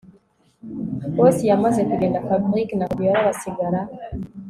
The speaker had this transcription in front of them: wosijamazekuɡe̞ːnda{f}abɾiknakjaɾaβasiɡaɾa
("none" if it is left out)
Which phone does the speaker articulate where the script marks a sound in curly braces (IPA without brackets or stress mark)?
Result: f